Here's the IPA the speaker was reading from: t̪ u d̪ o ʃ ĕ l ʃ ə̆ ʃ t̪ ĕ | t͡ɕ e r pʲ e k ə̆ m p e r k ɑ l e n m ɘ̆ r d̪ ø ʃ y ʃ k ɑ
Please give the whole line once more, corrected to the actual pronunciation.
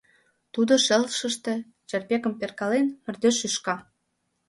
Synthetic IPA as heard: t̪ u d̪ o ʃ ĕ l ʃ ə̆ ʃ t̪ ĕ | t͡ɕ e r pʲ e k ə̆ m p e r k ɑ l e n m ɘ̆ r d̪ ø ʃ y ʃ k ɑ